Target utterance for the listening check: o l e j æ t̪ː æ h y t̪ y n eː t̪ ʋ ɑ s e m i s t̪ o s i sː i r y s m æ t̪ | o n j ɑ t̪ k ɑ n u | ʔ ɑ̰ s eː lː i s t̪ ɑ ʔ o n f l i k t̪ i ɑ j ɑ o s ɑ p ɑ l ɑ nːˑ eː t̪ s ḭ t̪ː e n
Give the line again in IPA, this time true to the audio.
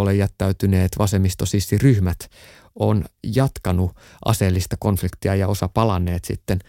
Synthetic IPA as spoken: o l e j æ t̪ː æ y t̪ y n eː t̪ ʋ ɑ s e m i s t̪ o s i sː i r y h m æ t̪ | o n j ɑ t̪ k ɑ n u | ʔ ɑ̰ s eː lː i s t̪ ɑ k o n f l i k t̪ i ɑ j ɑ o s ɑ p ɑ l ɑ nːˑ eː t̪ s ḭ t̪ː e n